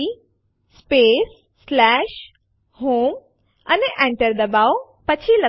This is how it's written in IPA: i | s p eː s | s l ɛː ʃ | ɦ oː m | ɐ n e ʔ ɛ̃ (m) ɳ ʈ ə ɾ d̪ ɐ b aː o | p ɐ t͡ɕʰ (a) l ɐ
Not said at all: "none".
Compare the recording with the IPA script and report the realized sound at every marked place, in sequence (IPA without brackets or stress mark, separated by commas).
none, i